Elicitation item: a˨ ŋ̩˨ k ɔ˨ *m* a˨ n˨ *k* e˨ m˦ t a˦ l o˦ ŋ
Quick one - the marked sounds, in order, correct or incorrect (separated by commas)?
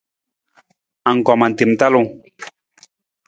correct, incorrect